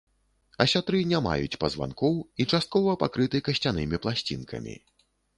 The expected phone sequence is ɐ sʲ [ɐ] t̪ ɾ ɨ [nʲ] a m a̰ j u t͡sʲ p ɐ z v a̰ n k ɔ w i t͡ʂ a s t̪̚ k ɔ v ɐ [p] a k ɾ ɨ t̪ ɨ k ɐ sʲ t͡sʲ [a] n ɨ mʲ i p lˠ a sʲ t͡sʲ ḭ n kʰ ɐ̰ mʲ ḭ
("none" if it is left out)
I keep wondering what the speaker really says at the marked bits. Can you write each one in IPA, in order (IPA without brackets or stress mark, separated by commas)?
a, nʲ, p, a